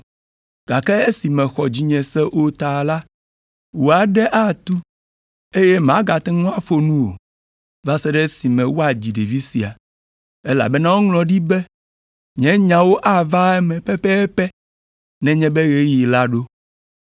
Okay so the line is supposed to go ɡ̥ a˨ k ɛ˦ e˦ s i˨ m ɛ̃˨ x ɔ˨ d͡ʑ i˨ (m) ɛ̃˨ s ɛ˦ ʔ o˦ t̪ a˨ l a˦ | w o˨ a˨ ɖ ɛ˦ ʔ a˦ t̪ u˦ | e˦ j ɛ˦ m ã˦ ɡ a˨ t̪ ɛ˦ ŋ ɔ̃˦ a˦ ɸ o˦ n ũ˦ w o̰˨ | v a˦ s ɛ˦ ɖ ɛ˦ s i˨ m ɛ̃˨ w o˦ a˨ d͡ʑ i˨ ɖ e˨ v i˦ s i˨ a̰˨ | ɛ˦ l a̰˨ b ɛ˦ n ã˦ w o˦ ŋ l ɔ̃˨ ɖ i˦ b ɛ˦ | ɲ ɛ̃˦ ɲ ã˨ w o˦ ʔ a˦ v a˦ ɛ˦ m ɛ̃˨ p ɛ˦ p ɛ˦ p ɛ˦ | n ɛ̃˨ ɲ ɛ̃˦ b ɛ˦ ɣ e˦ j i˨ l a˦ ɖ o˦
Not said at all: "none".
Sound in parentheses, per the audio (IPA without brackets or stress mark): ɲ